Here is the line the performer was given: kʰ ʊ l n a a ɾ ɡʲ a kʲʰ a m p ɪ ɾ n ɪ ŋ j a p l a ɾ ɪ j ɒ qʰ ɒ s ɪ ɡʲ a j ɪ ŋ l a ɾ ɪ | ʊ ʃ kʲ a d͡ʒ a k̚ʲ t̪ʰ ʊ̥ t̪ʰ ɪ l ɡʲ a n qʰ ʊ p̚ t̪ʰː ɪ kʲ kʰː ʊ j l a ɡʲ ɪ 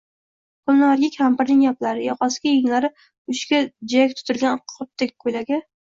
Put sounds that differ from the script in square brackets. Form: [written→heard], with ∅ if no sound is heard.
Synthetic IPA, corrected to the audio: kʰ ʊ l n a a ɾ ɡʲ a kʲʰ a m p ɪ ɾ n ɪ ŋ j a p l a ɾ ɪ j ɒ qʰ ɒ s ɪ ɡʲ a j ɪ ŋ l a ɾ ɪ | ʊ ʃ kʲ a d͡ʒ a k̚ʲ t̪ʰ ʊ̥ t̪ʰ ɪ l ɡʲ a n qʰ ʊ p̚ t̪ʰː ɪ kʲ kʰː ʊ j l a ɡʲ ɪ